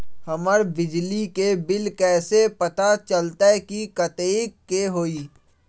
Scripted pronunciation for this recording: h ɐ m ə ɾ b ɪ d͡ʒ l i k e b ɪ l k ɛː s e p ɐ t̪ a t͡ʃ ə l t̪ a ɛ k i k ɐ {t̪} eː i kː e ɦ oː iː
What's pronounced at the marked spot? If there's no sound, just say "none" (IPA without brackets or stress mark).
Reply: t̪